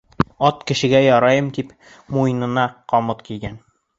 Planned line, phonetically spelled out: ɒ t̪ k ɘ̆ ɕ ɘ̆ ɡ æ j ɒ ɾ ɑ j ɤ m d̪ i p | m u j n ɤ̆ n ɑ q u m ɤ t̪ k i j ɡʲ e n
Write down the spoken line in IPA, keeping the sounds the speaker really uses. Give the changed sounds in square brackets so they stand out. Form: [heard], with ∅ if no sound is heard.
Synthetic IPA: ɒ t̪ k ɘ̆ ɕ ɘ̆ ɡ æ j ɒ ɾ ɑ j ɤ m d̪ i p | m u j n ɤ̆ n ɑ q [ɒ] m ɤ t̪ k i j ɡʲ [æ] n